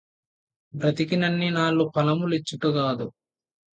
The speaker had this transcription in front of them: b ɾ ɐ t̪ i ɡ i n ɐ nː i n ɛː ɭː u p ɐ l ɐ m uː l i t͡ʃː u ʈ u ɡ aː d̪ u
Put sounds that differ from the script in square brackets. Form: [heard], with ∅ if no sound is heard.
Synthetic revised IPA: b ɾ ɐ t̪ i [k] i n ɐ nː i n [aː] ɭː u p ɐ l ɐ m [u] l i t͡ʃː u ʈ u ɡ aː d̪ u